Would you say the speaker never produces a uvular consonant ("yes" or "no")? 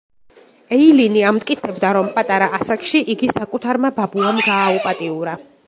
yes